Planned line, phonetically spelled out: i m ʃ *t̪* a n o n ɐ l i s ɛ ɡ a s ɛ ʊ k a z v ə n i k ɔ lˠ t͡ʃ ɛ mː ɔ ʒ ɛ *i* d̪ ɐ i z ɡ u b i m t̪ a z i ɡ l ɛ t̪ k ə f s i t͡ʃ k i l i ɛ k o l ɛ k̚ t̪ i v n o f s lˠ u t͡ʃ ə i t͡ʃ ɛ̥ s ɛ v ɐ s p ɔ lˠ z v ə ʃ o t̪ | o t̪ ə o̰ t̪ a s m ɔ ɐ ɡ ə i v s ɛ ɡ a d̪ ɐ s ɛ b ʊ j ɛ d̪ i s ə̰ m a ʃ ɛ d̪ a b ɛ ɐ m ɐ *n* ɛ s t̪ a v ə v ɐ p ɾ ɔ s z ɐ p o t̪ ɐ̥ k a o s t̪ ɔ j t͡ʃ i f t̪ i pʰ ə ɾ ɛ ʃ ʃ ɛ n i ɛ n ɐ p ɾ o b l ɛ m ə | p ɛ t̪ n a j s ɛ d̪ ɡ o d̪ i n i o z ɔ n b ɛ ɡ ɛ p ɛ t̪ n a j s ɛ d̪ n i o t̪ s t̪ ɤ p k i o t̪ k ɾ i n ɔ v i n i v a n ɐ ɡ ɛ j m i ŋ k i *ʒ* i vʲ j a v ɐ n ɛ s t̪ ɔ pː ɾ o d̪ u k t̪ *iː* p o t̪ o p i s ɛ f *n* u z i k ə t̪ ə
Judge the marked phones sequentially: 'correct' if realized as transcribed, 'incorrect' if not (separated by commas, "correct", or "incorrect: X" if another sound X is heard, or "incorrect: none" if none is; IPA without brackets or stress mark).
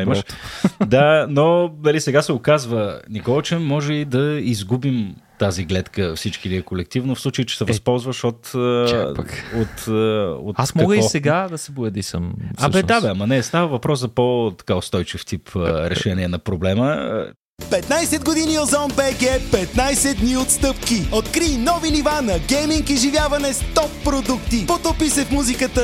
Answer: incorrect: d̪, correct, correct, correct, incorrect: i, incorrect: m